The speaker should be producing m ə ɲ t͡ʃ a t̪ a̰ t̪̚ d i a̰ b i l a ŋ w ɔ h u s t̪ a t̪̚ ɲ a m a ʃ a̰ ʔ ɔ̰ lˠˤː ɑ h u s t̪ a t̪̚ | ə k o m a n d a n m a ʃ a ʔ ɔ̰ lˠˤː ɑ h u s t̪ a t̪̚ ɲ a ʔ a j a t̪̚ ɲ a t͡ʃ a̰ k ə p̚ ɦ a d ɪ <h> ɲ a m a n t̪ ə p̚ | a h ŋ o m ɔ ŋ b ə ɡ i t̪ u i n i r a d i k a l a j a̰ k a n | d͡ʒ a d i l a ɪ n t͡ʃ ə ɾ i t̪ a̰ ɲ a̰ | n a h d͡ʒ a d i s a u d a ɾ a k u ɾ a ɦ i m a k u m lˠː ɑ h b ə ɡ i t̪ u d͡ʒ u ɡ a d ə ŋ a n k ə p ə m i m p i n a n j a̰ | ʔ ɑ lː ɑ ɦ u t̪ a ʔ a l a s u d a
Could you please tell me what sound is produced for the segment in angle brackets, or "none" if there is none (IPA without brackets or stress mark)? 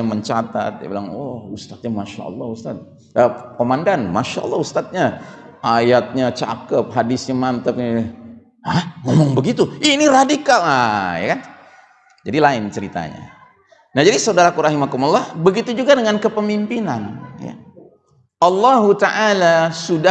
s